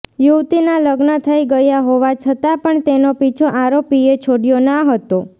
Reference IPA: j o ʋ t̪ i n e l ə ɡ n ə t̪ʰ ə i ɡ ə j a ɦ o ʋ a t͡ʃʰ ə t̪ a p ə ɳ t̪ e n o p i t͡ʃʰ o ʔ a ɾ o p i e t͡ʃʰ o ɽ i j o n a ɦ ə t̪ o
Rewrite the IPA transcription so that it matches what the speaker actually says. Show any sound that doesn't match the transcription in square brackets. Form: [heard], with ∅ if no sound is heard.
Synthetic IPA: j [u] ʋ t̪ i n [a] l ə ɡ n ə t̪ʰ ə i ɡ ə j a ɦ o ʋ a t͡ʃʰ ə t̪ a p ə ɳ t̪ e n o p i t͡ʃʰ o ʔ a ɾ o p i e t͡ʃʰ o ɽ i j o n a ɦ ə t̪ o